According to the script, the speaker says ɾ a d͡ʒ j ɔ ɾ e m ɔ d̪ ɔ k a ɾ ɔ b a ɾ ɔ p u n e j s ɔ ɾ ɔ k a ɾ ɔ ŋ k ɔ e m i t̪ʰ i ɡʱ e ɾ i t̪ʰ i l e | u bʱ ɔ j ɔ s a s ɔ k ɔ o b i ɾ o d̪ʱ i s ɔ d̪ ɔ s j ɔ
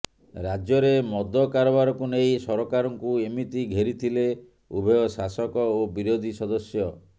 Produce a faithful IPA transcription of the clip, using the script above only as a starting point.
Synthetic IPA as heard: ɾ a d͡ʒ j ɔ ɾ e m ɔ d̪ ɔ k a ɾ ɔ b a ɾ ɔ k u n e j s ɔ ɾ ɔ k a ɾ ɔ ŋ k u e m i t̪ i ɡʱ e ɾ i t̪ʰ i l e | u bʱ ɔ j ɔ s a s ɔ k ɔ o b i ɾ o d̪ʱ i s ɔ d̪ ɔ s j ɔ